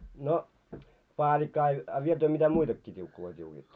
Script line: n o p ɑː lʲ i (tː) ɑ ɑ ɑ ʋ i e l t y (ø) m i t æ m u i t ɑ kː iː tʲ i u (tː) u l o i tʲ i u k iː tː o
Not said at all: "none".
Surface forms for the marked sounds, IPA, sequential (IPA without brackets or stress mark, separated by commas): kː, ø, kː